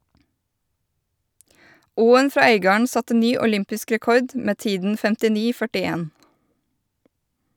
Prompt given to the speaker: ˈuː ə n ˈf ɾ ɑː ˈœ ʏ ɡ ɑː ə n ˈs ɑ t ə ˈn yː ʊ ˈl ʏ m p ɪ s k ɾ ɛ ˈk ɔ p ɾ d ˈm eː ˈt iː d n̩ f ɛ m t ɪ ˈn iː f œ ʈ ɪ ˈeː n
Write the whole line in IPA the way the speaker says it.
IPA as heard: ˈuː ə n ˈf ɾ ɑː ˈœ ʏ ɡ ɑː ə ɳ ˈs ɑ t ə ˈn yː ʊ ˈl ʏ m p ɪ s k ɾ ɛ ˈk ɔ ɾ d ˈm eː ˈt iː d n̩ f ɛ m t ɪ ˈn iː f œ ʈ ɪ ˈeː n